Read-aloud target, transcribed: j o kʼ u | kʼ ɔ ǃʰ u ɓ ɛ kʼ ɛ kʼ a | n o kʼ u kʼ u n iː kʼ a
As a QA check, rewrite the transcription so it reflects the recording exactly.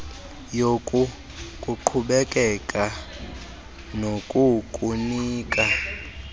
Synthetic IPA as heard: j o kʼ u | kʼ u ǃʰ u ɓ ɛ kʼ ɛ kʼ a | n o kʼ u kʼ u n iː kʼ a